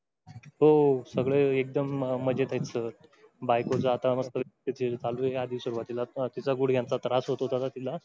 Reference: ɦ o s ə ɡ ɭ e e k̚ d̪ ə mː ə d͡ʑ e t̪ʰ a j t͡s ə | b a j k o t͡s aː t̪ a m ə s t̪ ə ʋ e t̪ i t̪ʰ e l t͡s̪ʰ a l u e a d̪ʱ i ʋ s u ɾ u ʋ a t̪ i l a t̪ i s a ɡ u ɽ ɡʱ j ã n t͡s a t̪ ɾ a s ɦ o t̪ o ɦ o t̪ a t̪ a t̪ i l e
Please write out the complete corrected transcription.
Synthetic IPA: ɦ o s ə ɡ ɭ e e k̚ d̪ ə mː ə d͡ʑ e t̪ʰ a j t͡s ə | b a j k o t͡s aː t̪ a m ə s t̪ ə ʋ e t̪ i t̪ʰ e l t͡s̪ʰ a l u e a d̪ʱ i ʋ s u ɾ u ʋ a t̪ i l a t̪ i t͡s a ɡ u ɽ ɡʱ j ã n t͡s a t̪ ɾ a s ɦ o t̪ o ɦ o t̪ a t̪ a t̪ i l a